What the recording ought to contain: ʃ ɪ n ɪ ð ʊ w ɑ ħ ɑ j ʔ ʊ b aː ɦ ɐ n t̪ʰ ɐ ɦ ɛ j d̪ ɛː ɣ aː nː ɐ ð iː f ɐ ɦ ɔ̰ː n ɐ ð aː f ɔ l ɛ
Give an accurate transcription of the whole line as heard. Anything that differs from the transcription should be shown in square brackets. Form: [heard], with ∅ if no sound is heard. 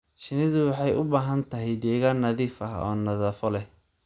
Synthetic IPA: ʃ ɪ n ɪ ð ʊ w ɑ ħ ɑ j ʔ ʊ b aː ɦ ɐ n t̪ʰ ɐ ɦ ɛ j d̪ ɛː ɣ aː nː ɐ ð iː f ɐ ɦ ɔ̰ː n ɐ ð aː f ɔ l ɛ